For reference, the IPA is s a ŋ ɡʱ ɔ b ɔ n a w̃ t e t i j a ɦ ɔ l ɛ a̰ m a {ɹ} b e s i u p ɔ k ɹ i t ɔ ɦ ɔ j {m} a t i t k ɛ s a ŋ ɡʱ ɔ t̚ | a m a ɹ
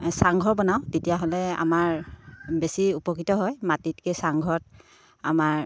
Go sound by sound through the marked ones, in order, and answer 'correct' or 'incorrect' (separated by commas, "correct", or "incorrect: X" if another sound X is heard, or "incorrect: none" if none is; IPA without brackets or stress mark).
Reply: correct, correct